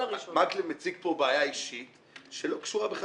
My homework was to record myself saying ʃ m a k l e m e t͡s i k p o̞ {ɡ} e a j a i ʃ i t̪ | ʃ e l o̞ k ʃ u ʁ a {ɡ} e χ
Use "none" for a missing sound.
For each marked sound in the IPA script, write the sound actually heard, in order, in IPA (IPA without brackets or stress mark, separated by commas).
b, b